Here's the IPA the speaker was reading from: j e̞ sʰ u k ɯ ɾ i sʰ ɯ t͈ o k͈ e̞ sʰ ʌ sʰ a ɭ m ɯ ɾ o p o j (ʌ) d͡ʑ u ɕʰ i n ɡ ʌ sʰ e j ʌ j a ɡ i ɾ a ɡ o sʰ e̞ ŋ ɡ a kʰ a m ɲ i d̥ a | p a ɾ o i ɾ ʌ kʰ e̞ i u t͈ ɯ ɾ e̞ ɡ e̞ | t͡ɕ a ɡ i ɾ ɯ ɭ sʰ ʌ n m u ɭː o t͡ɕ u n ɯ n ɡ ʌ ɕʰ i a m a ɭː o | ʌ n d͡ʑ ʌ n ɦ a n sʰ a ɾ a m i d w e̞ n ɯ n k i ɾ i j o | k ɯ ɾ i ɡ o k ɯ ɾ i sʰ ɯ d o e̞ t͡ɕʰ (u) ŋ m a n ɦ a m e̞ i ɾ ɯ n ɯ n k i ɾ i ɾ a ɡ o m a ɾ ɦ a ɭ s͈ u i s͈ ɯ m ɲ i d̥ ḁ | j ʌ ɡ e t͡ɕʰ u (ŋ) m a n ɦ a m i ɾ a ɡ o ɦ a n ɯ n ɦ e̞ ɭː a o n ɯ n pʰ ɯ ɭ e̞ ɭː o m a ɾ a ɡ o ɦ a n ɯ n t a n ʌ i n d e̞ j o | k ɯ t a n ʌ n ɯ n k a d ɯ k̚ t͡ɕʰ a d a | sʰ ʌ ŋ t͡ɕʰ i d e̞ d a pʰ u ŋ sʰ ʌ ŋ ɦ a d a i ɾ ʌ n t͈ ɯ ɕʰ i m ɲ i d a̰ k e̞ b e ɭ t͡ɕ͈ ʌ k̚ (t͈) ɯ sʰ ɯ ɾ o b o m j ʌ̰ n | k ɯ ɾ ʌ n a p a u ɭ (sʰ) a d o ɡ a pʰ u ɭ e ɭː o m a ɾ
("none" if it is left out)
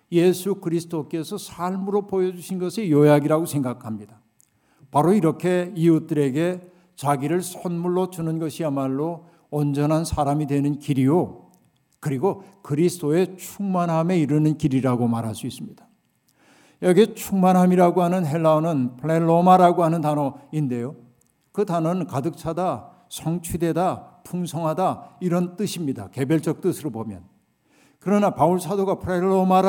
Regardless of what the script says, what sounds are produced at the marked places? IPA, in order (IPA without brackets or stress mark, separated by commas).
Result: ʌ, u, ŋ, t͈, sʰ